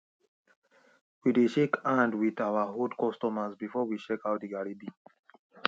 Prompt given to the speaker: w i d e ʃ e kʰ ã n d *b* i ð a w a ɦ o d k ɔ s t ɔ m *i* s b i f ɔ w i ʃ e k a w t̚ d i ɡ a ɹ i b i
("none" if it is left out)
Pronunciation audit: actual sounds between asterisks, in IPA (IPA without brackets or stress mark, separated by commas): w, a